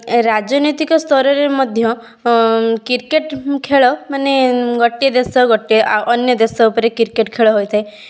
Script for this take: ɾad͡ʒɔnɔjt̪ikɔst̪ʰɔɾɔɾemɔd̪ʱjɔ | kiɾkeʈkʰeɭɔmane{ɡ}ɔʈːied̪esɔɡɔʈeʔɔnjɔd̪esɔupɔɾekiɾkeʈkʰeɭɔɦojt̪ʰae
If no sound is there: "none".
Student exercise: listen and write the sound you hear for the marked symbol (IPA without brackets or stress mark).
ɡ